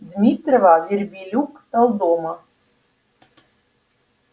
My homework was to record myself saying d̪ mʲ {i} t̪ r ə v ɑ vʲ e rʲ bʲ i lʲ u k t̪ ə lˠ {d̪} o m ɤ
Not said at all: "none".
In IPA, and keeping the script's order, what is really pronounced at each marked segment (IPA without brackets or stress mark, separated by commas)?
i, d̪